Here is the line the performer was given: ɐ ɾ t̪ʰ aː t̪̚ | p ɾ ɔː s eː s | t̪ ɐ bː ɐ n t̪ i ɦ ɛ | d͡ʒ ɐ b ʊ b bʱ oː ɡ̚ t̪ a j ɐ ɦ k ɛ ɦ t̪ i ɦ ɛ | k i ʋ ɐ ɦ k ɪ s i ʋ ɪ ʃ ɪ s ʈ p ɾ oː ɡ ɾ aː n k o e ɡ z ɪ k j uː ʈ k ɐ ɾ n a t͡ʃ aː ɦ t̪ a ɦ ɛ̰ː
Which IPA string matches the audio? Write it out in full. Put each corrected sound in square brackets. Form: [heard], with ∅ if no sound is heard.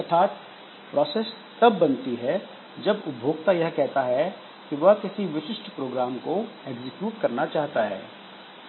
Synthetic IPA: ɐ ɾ t̪ʰ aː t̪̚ | p ɾ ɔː s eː s | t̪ ɐ bː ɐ n t̪ i ɦ ɛ | d͡ʒ ɐ b ʊ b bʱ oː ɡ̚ t̪ a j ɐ ɦ k ɛ ɦ t̪ [a] ɦ ɛ | k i ʋ ɐ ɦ k ɪ s i ʋ ɪ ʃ ɪ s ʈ p ɾ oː ɡ ɾ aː [m] k o e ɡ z ɪ k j uː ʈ k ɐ ɾ n a t͡ʃ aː ɦ t̪ a ɦ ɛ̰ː